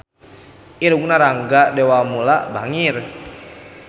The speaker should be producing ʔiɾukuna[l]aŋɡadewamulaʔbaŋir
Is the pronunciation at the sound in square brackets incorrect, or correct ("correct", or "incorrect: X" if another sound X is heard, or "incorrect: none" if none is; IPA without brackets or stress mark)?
incorrect: ɾ